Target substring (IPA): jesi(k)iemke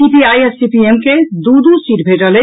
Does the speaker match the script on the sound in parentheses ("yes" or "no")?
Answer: no